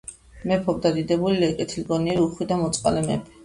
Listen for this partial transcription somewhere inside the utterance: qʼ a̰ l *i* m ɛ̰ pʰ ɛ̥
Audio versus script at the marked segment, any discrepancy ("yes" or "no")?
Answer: yes